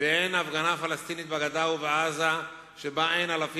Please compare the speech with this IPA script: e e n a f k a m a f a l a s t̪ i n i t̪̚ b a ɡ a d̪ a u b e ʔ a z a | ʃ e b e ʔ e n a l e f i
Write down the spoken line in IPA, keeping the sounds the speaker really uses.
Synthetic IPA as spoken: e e n a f ɡ a n a f a l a s t̪ i n i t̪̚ b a ɡ a d̪ a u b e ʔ a z a | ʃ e b a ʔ e n a l a f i